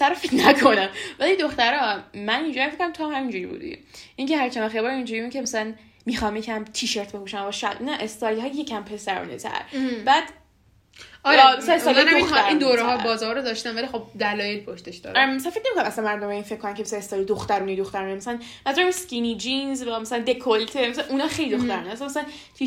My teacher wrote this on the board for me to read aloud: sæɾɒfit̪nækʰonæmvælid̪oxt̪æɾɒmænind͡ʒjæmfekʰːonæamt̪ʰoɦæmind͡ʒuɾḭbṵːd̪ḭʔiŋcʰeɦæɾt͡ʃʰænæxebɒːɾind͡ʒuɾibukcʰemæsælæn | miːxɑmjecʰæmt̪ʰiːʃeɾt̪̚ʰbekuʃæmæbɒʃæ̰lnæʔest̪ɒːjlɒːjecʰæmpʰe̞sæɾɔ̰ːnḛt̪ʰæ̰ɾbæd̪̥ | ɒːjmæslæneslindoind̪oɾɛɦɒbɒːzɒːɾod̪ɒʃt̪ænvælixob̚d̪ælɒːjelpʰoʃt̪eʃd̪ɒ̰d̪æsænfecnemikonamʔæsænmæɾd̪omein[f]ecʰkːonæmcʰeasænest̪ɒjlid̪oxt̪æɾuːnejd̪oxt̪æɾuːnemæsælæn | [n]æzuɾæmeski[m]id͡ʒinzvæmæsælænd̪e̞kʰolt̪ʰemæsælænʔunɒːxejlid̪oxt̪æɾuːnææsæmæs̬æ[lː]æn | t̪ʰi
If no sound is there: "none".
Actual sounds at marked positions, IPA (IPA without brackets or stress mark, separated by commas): f, m, n, l